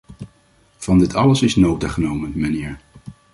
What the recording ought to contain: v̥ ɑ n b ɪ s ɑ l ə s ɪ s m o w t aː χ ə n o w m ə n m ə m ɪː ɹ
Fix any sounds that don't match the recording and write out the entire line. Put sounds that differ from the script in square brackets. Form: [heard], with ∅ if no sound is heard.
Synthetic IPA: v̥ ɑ n [d] ɪ [t] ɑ l ə s ɪ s [n] o w t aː χ ə n o w m ə n m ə [n] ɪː ɹ